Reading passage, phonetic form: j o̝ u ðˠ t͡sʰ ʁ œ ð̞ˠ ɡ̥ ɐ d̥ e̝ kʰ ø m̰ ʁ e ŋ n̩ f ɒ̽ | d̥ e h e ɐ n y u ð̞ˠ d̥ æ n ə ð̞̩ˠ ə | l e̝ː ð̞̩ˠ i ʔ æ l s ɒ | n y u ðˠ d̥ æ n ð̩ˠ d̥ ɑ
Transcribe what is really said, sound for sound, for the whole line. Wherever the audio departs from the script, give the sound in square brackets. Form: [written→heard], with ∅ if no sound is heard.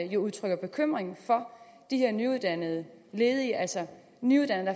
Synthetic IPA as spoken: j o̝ u ðˠ t͡sʰ ʁ œ [ð̞ˠ→∅] ɡ̥ ɐ [d̥→b̥] e̝ kʰ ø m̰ ʁ e ŋ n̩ f ɒ̽ | d̥ [e→i] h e ɐ n y u ð̞ˠ d̥ æ n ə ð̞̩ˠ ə | l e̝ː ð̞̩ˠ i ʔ æ l s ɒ | n y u ðˠ d̥ æ n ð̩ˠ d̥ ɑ